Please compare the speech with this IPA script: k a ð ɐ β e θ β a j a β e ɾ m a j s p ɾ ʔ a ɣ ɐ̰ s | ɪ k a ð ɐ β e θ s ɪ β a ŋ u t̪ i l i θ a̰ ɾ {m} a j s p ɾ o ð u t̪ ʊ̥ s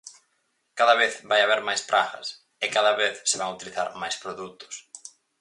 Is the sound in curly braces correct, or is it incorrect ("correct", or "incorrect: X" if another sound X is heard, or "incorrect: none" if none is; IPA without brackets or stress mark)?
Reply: correct